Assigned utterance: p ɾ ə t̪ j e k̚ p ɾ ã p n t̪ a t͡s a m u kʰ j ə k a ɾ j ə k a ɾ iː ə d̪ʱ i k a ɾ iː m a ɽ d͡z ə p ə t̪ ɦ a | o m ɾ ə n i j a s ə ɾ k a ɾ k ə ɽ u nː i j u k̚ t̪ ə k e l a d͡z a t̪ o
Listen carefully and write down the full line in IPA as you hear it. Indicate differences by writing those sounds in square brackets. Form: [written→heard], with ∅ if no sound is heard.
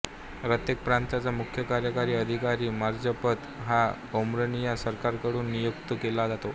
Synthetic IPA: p ɾ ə t̪ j e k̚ p ɾ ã [p→∅] n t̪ a t͡s a m u kʰ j ə k a ɾ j ə k a ɾ iː ə d̪ʱ i k a ɾ iː m a [ɽ→ɾ] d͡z ə p ə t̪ ɦ a | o m ɾ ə n i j a s ə ɾ k a ɾ k ə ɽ [u→uː] nː i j u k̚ t̪ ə k e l a d͡z a t̪ o